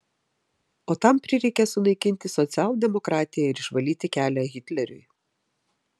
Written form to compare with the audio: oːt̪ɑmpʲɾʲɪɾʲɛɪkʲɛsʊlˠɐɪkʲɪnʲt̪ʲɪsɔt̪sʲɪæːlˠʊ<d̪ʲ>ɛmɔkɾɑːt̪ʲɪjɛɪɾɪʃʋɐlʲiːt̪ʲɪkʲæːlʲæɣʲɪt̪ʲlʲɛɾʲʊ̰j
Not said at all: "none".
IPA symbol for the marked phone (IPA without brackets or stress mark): d̪ʲ